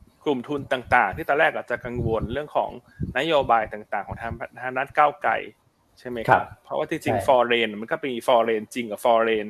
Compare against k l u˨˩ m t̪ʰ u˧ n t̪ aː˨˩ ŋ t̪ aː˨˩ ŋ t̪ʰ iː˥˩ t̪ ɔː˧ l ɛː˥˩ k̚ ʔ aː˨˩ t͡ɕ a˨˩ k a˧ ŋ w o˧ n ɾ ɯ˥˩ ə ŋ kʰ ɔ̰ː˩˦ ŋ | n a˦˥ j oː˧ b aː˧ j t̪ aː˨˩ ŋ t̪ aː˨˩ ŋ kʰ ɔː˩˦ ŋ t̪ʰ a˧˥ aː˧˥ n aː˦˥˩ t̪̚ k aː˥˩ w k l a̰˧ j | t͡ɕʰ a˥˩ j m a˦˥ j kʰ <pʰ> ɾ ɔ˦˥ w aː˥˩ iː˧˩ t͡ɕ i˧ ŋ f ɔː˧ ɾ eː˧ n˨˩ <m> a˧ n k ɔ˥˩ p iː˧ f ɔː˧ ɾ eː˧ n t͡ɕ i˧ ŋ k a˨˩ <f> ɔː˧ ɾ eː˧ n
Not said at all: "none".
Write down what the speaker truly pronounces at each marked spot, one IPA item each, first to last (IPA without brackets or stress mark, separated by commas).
pʰ, m, f